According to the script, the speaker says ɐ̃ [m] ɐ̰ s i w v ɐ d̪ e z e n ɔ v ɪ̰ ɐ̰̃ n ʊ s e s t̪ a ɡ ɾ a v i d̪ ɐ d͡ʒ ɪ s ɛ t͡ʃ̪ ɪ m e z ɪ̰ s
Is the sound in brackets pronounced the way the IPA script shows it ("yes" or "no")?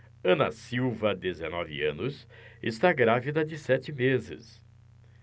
no